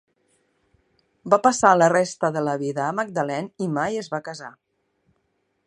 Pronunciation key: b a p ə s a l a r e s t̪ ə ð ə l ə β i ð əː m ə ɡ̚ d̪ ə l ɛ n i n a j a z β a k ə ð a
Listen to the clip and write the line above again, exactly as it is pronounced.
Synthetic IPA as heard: b a p ə s a l ə r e s t̪ ə ð ə l ə β i ð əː m ə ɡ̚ d̪ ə l ɛ n i m a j ə z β a k ə z a